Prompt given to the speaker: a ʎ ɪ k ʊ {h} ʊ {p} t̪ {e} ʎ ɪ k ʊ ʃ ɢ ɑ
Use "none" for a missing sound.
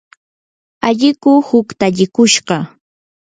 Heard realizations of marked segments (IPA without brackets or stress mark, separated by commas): h, k, a